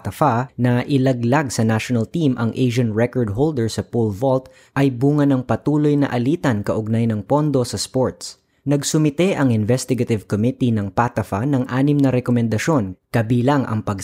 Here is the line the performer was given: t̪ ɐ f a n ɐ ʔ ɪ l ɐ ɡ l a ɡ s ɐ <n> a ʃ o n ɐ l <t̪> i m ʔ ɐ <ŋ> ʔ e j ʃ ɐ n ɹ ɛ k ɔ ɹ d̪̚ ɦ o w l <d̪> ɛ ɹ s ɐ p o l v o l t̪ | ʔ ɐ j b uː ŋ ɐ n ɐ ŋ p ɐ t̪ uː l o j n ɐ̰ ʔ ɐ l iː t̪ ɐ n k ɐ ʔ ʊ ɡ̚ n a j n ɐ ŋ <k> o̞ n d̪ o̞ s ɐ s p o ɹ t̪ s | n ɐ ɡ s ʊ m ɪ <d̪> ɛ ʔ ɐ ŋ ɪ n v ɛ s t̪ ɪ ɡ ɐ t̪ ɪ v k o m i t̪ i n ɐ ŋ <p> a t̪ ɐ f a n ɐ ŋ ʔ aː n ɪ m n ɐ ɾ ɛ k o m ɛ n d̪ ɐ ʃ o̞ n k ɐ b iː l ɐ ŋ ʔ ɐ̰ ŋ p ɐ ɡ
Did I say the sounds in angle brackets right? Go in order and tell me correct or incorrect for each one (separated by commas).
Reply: correct, correct, correct, correct, incorrect, incorrect, correct